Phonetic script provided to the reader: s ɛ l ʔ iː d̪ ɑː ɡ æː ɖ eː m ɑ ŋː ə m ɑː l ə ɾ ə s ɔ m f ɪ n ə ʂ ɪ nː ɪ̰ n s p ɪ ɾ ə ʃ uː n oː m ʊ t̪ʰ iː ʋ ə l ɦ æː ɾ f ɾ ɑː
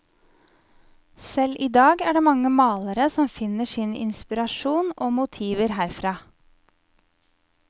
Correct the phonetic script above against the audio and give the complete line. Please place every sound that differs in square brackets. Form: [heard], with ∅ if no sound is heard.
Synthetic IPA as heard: s ɛ l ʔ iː d̪ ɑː ɡ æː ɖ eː m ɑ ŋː ə m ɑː l ə ɾ ə s ɔ m f ɪ n ə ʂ ɪ [n] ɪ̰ n s p ɪ ɾ [ɑ] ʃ uː n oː m ʊ t̪ʰ iː ʋ ə [ɾ] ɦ æː ɾ f ɾ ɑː